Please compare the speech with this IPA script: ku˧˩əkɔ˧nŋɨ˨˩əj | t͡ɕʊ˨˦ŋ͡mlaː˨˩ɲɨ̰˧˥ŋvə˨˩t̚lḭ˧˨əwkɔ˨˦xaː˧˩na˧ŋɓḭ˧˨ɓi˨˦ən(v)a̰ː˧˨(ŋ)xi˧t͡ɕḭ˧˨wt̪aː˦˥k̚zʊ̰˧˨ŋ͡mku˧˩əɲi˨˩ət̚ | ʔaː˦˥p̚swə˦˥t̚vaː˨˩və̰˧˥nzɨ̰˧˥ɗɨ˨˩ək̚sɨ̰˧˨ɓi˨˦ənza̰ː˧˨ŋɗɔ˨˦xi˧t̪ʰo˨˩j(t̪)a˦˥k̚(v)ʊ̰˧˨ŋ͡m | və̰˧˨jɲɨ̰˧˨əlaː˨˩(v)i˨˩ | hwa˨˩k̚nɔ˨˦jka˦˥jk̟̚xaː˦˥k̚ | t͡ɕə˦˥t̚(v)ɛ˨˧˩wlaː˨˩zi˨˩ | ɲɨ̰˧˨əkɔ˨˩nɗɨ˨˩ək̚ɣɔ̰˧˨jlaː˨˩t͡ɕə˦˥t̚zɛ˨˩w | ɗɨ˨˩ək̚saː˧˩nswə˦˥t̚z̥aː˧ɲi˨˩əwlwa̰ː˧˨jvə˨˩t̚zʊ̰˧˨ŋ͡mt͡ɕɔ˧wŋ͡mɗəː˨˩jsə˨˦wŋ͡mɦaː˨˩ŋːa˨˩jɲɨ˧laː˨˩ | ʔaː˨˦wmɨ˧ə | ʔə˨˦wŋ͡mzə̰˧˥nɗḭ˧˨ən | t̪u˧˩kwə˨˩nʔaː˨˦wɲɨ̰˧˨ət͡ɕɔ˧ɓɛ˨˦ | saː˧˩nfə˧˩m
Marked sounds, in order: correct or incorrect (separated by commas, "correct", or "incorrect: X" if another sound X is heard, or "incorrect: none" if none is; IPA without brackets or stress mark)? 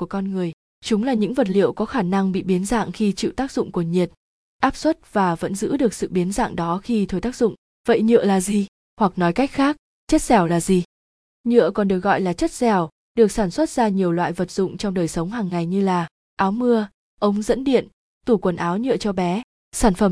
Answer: incorrect: z, correct, correct, incorrect: z, incorrect: z, incorrect: z